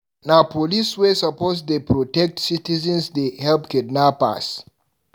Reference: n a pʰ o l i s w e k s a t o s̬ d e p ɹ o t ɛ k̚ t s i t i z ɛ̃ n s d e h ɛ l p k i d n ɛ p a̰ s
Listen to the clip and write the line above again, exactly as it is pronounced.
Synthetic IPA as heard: n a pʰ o l i s w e s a p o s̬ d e p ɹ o t ɛ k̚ t s i t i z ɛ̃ n s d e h ɛ l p k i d n a p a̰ s